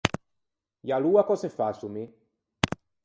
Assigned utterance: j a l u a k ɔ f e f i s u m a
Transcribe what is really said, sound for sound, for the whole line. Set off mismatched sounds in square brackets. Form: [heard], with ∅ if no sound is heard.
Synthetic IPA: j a l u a k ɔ [s] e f [a] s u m [i]